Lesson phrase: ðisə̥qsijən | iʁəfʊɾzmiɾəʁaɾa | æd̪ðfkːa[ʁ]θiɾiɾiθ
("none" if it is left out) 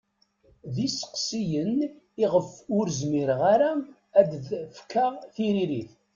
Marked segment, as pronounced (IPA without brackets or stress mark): ʁ